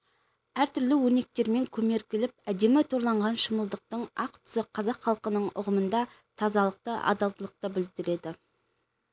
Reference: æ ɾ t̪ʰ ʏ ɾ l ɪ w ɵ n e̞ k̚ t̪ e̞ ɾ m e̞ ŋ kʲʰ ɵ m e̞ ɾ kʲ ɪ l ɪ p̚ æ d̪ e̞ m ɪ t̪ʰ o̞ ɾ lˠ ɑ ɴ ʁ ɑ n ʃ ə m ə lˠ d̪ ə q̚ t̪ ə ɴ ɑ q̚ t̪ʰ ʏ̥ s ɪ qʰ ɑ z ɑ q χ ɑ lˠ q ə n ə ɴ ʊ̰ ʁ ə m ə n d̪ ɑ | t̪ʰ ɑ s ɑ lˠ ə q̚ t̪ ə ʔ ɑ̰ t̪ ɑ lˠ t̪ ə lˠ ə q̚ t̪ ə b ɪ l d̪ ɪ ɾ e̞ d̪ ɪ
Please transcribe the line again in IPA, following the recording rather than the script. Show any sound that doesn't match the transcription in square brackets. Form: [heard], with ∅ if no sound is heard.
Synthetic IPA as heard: æ ɾ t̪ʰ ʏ ɾ l ɪ w ɵ n e̞ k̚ t̪ e̞ ɾ m e̞ ŋ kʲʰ ɵ m e̞ ɾ kʲ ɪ l ɪ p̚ æ d̪ e̞ m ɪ t̪ʰ o̞ ɾ lˠ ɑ ɴ ʁ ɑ n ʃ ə m ə lˠ d̪ ə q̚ t̪ ə ɴ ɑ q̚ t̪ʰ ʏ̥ s ɪ qʰ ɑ z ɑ q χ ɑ lˠ q ə n ə ɴ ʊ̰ ʁ ə m ə n d̪ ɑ | t̪ʰ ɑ [z] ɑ lˠ ə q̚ t̪ ə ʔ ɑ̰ [d̪] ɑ lˠ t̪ ə lˠ ə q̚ t̪ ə b ɪ l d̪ ɪ ɾ e̞ d̪ ɪ